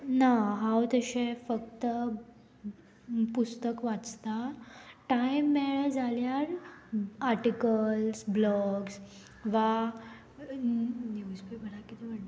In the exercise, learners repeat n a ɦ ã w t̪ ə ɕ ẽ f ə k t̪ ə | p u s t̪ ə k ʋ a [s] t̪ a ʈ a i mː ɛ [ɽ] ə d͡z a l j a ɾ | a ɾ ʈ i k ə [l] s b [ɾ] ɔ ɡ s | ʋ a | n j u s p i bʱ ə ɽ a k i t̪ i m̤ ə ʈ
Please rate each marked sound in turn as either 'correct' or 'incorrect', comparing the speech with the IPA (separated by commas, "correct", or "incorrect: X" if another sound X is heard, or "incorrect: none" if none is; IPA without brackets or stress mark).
incorrect: t͡s, incorrect: ɭ, correct, incorrect: l